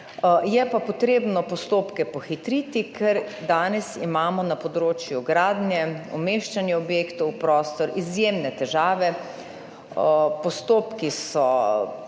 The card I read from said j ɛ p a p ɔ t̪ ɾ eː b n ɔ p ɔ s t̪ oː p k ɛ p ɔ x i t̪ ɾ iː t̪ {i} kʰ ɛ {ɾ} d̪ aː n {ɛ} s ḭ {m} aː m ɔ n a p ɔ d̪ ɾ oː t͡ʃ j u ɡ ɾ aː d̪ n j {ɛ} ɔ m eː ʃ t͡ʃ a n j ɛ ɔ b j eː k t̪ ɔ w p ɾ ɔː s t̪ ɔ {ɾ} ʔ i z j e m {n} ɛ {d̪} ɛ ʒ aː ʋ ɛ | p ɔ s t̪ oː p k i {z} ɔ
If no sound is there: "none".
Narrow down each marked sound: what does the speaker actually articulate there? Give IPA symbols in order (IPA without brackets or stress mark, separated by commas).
i, ɾ, ɛ, m, ɛ, ɾ, n, t̪, s